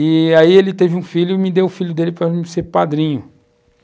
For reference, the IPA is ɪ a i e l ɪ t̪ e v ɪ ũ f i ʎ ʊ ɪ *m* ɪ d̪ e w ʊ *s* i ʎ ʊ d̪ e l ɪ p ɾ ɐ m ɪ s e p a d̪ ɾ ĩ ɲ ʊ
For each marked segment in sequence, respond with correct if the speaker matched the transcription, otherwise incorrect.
correct, incorrect: f

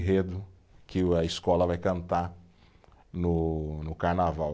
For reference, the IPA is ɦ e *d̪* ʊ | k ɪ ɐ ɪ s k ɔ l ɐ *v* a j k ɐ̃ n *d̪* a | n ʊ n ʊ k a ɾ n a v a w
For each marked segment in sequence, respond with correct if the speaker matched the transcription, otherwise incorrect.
correct, correct, incorrect: t̪

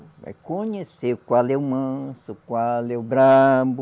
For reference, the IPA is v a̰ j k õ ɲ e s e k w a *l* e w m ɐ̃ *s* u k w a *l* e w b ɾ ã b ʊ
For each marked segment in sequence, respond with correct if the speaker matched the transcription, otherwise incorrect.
correct, correct, correct

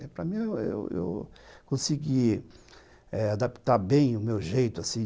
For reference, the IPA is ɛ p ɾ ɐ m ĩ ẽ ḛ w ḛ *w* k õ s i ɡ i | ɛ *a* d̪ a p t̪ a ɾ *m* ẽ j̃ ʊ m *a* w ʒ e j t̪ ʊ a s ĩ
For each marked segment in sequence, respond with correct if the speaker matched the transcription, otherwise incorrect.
correct, correct, incorrect: b, incorrect: e

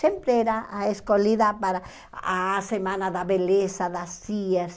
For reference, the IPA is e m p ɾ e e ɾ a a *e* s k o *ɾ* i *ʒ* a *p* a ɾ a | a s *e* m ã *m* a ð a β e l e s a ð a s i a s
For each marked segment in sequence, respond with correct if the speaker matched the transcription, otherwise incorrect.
correct, incorrect: l, incorrect: ð, correct, correct, incorrect: n

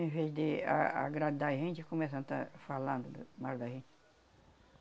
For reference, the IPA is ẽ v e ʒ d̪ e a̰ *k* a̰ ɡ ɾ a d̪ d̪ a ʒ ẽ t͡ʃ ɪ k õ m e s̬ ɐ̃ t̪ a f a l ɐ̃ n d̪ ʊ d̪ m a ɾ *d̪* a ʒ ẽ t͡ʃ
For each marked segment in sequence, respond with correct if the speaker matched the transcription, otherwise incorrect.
incorrect: none, correct

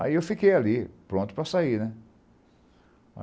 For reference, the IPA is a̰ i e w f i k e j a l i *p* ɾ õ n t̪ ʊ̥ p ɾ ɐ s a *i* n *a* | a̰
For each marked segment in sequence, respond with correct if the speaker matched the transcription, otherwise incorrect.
correct, correct, incorrect: ɛ

